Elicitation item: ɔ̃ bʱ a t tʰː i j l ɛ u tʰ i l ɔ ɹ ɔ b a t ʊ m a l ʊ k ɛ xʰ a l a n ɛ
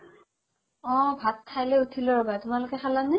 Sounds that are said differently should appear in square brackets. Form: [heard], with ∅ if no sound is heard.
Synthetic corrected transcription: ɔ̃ bʱ a t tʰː [a] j l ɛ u tʰ i l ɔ ɹ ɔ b a t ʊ m a l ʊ k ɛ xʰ a l a n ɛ